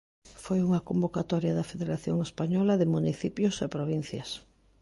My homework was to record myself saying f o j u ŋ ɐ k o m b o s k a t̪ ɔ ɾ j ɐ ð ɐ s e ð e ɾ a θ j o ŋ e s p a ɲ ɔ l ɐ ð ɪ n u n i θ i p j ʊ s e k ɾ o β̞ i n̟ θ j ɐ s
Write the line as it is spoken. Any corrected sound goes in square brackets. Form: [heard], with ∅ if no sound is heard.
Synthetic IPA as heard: f o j u ŋ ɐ k o m b o [∅] k a t̪ ɔ ɾ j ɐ ð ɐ [f] e ð e ɾ a θ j o ŋ e s p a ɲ ɔ l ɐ ð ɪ [m] u n i θ i p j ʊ s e [p] ɾ o β̞ i n̟ θ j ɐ s

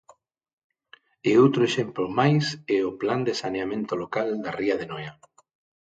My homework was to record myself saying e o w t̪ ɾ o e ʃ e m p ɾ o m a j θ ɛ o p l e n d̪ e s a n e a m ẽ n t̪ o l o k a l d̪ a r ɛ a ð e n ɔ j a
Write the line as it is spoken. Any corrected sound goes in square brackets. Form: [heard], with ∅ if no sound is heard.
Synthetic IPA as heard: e o w t̪ ɾ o e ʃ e m p [l] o m a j [s] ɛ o p l [a] n d̪ e s a n e a m ẽ n t̪ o l o k a l d̪ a r [i] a ð e n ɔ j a

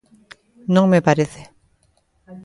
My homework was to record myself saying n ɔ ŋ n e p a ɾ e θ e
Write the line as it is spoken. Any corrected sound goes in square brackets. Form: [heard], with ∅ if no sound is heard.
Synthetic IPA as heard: n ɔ ŋ [m] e p a ɾ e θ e

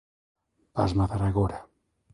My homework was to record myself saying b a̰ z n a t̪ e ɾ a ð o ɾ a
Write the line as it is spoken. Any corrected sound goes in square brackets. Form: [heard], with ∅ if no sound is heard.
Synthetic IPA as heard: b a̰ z [m] a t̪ [a] ɾ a [ɣ] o ɾ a

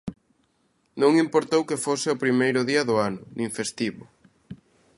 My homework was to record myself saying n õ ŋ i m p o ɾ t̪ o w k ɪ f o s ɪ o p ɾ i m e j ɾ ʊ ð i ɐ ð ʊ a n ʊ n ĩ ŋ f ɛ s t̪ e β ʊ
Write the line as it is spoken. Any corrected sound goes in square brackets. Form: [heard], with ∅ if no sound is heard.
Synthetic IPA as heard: n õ ŋ i m p o ɾ t̪ o w k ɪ f o s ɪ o p ɾ i m e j ɾ ʊ ð i ɐ ð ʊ a n ʊ n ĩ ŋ f [e] s t̪ [i] β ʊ

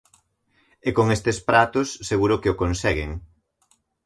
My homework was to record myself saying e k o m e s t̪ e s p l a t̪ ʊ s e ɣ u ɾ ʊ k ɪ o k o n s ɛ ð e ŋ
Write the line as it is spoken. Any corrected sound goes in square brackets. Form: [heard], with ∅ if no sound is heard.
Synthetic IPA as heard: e k o [ŋ] e s t̪ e s p [ɾ] a t̪ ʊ [sː] e ɣ u ɾ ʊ k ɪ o k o n s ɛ [ɣ] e ŋ

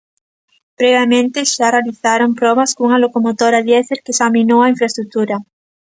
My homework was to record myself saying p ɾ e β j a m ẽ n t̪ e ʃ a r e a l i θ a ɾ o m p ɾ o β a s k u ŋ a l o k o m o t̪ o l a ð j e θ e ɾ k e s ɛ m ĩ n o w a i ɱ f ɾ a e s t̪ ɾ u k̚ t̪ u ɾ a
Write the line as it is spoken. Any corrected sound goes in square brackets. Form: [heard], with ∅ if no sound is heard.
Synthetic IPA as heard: p ɾ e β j a m ẽ n t̪ e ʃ a r e a l i θ a ɾ o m p ɾ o β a s k u ŋ a l o k o m o t̪ o [ɾ] a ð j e θ e ɾ k e s [a] m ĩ n o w a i ɱ f ɾ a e s t̪ ɾ u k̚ t̪ u ɾ a

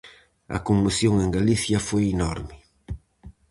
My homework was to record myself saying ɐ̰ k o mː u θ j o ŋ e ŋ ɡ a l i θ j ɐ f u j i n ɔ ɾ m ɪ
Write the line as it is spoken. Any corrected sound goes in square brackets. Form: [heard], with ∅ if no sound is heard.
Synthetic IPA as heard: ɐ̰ k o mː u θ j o ŋ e ŋ ɡ a l i θ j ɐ f [o] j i n ɔ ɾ m ɪ

